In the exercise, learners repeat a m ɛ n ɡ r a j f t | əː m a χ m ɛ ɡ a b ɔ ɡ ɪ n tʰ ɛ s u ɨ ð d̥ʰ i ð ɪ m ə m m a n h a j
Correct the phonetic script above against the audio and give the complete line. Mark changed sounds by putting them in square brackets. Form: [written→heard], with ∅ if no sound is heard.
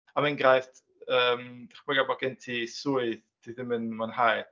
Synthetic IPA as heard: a m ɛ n ɡ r a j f t | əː m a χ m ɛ ɡ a b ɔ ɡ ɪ n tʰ [ɛ→i] s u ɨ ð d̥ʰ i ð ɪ m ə [m→n] m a n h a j